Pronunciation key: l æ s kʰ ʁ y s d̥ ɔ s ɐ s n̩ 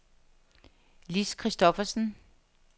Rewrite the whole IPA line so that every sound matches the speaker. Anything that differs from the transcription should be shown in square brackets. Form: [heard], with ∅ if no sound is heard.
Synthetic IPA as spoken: l [i] s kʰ ʁ [i] s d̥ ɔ [f] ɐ s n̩